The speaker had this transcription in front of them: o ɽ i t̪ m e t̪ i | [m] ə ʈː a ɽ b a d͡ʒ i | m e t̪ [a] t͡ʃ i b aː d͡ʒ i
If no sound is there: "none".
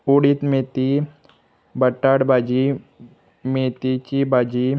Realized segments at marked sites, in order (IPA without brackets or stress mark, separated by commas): b, i